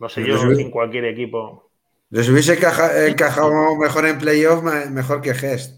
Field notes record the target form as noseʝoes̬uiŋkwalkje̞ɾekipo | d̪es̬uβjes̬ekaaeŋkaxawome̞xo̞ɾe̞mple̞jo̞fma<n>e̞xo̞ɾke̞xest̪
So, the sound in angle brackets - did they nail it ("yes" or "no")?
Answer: no